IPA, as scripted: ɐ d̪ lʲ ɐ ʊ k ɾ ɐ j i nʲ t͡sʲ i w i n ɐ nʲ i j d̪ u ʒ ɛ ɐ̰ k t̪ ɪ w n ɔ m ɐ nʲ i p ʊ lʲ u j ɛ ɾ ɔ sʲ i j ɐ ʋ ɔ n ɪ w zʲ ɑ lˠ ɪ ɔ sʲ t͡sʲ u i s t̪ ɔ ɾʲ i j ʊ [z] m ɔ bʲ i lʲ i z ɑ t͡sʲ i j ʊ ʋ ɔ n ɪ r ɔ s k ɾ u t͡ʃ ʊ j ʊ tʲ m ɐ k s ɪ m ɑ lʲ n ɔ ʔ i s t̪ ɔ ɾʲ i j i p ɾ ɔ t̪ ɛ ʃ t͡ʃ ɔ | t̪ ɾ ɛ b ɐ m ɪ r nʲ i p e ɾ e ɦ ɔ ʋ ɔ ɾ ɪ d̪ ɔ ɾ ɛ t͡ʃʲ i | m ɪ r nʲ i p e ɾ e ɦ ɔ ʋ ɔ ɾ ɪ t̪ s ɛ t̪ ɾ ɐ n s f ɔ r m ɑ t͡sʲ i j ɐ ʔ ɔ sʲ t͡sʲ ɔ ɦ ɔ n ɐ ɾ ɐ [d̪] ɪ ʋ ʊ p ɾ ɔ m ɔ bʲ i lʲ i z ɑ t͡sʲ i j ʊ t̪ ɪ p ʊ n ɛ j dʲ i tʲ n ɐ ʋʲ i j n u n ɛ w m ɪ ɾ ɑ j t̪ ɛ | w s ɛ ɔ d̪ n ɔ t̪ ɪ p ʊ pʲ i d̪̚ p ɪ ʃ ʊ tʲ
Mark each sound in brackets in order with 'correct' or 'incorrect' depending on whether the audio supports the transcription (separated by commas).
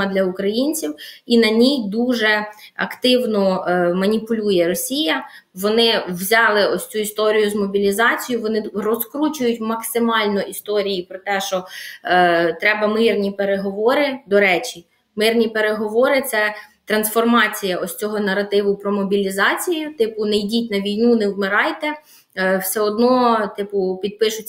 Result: correct, incorrect